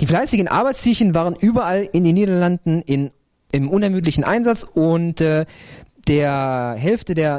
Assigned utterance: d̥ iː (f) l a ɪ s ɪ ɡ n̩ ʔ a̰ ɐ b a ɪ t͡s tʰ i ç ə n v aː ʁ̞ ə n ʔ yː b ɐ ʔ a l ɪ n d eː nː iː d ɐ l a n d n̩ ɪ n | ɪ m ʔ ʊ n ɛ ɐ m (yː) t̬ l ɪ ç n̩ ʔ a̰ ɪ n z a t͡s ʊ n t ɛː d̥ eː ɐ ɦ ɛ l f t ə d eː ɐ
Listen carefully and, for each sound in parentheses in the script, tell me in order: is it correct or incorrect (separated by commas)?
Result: correct, correct